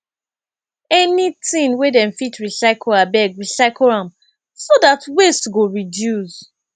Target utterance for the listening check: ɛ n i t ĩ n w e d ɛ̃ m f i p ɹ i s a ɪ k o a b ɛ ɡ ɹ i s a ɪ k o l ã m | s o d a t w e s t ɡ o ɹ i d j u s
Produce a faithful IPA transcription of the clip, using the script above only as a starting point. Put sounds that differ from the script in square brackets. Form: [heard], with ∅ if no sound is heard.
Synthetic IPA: ɛ n i t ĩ n w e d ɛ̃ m f i [t] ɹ i s a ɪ k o a b ɛ ɡ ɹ i s a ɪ k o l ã m | s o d a t w e s t ɡ o ɹ i d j u s